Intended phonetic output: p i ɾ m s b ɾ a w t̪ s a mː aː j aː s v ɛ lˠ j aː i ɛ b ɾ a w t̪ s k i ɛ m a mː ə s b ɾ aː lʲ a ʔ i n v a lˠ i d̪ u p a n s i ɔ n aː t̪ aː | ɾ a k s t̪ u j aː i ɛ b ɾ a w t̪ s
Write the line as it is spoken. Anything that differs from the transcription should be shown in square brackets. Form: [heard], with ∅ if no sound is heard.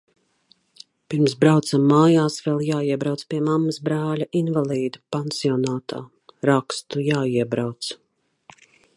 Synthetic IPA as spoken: p i ɾ m s b ɾ a w t̪ s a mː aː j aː s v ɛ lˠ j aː i ɛ b ɾ a w t̪ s [p] i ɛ m a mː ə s b ɾ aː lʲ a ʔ i n v a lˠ [iː] d̪ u p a n s i ɔ n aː t̪ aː | ɾ a k s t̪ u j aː i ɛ b ɾ a w t̪ s